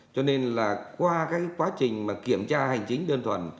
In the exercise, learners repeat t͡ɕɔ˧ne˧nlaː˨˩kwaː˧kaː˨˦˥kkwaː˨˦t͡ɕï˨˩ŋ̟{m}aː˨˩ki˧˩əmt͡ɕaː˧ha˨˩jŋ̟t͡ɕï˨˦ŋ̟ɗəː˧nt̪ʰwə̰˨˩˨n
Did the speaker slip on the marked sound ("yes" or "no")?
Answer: no